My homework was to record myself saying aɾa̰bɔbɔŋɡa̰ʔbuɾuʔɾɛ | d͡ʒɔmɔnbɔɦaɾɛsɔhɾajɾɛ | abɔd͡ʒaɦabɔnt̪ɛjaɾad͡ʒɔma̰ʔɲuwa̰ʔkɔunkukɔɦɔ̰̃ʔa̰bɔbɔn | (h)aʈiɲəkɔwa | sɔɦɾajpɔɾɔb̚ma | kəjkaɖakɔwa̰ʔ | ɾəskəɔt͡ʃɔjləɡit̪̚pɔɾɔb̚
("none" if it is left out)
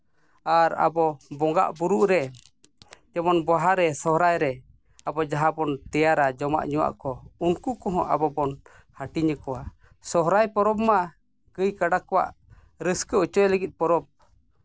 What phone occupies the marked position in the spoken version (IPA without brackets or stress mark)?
h